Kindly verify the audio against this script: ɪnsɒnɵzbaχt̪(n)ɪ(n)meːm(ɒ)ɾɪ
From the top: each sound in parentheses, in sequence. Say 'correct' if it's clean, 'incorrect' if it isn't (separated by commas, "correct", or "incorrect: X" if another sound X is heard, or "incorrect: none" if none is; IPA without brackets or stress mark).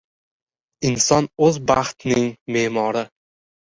correct, incorrect: ŋ, correct